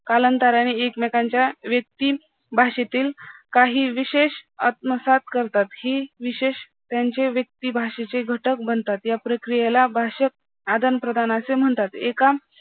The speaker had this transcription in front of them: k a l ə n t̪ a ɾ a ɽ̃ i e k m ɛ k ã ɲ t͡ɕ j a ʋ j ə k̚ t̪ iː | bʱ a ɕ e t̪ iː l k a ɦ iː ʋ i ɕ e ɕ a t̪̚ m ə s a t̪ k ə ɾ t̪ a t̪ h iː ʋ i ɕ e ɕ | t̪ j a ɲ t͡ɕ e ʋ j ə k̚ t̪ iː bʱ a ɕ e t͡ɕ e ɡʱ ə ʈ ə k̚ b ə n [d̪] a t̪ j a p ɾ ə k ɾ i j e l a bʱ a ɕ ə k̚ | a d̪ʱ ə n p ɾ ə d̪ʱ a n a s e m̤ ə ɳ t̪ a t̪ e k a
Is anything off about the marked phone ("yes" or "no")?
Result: yes